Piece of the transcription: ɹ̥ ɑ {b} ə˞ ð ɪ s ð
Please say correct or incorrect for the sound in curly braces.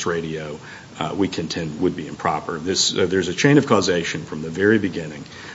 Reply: incorrect